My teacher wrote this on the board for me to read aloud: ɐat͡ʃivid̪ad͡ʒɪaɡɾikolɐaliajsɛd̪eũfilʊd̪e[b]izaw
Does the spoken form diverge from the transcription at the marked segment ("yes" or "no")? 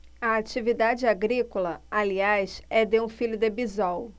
no